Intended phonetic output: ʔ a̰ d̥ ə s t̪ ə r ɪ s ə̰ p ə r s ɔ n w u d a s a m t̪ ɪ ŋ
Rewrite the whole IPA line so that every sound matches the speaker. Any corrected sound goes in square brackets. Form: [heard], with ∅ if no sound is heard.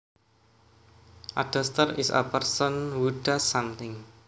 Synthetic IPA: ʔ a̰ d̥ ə s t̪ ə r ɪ s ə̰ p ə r s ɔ n w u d a s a m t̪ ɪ ŋ